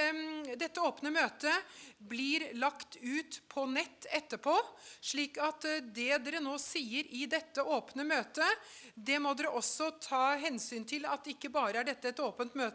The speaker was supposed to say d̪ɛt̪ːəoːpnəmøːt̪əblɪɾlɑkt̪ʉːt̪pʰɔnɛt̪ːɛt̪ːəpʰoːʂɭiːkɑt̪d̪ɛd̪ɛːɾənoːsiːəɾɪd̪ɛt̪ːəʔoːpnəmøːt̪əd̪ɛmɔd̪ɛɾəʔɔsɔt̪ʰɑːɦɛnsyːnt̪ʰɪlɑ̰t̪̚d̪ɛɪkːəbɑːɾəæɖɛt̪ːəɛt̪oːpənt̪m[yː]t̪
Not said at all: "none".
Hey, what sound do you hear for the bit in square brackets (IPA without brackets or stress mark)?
øː